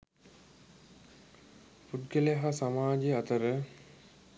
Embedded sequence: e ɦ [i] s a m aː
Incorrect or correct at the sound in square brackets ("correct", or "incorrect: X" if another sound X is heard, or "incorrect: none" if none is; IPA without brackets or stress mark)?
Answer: incorrect: a